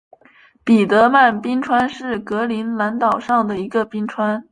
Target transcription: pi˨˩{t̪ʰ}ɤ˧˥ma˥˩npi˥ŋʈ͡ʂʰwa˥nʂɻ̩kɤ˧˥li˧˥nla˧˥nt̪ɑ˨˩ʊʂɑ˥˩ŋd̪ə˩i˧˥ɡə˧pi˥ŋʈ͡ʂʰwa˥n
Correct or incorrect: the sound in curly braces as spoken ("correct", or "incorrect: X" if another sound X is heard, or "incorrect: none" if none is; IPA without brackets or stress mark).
incorrect: t̪